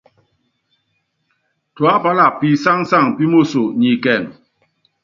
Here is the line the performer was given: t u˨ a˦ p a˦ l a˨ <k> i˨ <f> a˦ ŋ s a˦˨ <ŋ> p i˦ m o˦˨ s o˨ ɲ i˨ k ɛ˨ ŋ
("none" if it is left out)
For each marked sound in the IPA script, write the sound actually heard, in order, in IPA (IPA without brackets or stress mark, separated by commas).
p, s, ŋ